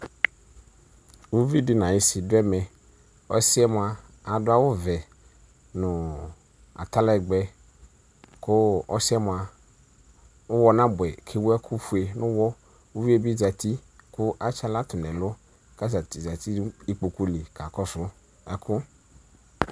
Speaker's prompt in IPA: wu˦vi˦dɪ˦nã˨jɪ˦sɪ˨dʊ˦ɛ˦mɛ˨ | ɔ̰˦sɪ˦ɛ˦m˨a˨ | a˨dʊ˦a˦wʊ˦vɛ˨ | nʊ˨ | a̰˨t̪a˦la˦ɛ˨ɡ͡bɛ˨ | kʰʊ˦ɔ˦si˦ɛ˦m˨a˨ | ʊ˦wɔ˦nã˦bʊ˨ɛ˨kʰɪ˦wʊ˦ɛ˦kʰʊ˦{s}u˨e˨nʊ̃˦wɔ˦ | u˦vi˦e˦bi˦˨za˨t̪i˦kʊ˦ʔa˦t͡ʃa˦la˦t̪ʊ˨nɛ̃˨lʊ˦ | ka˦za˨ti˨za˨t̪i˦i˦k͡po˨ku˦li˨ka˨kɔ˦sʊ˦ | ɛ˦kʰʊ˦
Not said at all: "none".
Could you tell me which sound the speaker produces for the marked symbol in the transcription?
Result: f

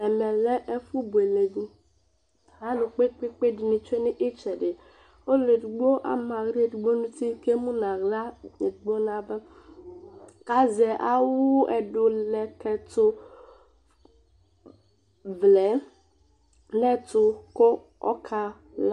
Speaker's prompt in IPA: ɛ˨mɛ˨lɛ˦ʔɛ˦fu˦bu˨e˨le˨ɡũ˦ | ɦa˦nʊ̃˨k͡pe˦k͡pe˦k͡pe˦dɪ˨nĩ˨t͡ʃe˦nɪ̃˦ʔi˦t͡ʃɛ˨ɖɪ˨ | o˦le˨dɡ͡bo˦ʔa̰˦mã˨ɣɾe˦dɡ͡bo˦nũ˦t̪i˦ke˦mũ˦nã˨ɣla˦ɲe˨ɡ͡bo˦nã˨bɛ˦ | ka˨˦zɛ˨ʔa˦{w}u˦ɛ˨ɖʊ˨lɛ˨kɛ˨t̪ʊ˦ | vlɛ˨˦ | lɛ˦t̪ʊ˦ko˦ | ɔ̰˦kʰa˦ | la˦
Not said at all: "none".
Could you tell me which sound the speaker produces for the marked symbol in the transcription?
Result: w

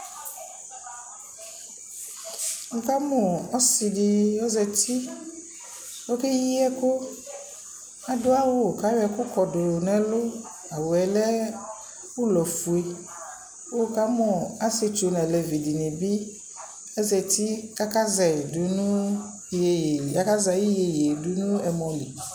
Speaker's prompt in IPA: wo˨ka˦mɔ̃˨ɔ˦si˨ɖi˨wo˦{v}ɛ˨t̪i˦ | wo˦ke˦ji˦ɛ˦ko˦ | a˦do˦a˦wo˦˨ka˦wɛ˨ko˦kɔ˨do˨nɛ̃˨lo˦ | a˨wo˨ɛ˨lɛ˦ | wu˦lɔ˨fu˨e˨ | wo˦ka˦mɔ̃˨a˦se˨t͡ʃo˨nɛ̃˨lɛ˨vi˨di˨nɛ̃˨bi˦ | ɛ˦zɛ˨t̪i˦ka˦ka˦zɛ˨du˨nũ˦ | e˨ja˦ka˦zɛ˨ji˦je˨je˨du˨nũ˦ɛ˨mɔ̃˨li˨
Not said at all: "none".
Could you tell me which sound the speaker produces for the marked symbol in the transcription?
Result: z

